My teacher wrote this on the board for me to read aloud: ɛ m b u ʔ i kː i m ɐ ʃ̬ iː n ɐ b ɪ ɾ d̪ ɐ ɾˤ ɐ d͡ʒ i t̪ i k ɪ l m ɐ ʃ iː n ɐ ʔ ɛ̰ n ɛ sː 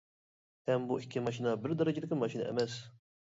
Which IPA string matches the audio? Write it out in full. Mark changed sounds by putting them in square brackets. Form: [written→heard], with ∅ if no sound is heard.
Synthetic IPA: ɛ m b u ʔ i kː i m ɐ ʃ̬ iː n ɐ b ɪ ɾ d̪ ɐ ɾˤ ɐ d͡ʒ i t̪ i k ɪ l m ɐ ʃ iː n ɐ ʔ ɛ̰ [n→m] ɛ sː